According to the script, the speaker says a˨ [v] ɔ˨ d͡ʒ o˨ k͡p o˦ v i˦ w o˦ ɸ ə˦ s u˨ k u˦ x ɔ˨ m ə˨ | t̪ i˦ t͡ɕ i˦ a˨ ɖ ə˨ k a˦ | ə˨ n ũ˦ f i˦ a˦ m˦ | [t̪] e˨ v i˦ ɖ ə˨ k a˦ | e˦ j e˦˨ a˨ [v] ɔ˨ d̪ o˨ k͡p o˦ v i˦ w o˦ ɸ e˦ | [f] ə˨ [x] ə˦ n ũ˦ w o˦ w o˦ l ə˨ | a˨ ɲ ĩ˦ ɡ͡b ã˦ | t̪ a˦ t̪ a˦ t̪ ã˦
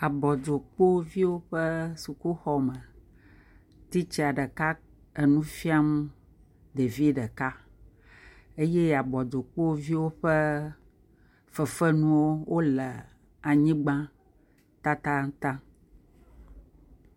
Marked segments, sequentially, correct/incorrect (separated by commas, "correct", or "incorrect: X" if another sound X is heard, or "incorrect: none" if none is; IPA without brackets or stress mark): incorrect: b, incorrect: d̪, incorrect: b, correct, incorrect: f